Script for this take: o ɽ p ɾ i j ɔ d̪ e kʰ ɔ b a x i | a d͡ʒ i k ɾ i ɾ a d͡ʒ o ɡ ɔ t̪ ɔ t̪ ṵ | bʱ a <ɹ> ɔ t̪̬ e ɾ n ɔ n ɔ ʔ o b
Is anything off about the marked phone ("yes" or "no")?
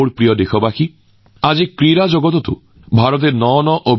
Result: yes